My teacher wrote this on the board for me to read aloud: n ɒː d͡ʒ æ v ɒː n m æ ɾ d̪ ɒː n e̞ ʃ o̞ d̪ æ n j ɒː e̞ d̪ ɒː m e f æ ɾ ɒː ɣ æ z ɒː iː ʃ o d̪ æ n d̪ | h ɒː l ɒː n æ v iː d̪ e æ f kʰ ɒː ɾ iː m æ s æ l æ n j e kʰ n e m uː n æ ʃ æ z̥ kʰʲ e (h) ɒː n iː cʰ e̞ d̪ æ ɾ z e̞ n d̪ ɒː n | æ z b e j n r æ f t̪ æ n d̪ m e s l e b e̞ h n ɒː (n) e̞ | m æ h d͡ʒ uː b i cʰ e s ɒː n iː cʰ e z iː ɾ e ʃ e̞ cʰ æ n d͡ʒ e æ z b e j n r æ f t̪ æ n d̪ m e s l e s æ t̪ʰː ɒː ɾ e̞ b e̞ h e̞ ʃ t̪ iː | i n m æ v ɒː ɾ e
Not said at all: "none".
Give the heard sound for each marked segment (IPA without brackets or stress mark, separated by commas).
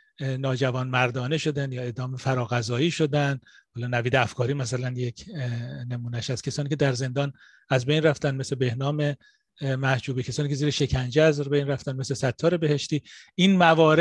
s, m